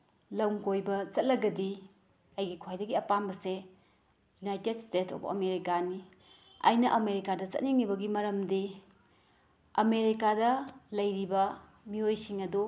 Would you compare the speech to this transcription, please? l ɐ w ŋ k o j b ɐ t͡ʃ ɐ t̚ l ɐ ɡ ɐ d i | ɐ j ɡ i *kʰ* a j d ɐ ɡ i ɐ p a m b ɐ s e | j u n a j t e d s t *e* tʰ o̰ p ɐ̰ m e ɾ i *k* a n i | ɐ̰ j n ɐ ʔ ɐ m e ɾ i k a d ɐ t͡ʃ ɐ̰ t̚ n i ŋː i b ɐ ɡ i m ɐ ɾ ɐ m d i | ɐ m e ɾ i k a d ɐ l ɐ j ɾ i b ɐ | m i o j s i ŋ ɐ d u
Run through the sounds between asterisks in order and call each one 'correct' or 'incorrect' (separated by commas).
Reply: correct, correct, correct